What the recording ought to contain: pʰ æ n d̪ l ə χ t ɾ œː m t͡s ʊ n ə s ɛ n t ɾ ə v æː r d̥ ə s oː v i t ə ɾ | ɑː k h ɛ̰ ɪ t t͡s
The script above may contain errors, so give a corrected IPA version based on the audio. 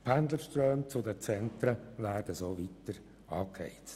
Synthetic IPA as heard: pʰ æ n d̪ l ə ʃ t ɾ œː m t͡s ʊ d ə t͡s ɛ n t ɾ ə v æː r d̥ ə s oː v i t ə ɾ | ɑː k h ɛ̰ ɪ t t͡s